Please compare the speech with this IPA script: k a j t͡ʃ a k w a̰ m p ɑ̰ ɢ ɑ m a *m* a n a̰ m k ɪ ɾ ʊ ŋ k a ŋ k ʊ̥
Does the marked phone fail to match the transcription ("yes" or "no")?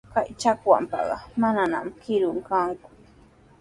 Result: yes